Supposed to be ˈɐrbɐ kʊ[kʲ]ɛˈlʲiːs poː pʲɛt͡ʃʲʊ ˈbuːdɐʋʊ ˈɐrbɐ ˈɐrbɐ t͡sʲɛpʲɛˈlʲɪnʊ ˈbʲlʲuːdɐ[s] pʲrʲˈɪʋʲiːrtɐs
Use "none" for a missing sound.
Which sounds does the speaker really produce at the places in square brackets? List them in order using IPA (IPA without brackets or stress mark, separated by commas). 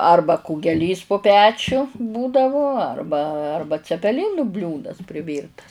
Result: ɡʲ, s